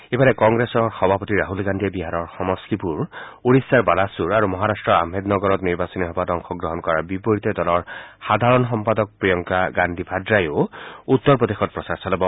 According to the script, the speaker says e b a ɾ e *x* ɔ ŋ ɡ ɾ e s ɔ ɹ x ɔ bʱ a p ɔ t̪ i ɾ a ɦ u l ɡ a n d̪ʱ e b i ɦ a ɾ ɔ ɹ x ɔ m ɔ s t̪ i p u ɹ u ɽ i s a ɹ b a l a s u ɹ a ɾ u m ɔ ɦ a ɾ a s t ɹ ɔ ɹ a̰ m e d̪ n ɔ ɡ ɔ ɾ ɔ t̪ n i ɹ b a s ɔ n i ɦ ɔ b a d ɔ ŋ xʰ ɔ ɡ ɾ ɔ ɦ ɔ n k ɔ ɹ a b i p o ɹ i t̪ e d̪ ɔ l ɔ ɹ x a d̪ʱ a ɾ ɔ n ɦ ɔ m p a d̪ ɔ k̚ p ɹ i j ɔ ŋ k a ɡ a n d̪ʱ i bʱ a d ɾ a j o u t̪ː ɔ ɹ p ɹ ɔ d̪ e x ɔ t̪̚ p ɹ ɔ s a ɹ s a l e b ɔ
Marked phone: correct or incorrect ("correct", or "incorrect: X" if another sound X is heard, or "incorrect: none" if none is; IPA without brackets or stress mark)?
incorrect: k